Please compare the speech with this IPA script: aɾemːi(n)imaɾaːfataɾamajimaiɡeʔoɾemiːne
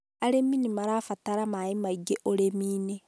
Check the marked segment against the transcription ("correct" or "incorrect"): correct